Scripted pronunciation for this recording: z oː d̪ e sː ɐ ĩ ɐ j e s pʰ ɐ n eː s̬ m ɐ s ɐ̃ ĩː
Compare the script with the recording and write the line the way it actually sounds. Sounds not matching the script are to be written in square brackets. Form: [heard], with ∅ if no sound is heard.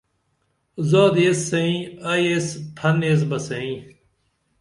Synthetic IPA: z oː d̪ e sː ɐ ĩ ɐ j e s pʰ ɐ n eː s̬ [b] ɐ s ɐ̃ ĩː